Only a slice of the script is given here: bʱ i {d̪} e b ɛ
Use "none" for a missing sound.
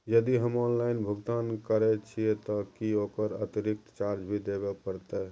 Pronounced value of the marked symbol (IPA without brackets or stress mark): d̪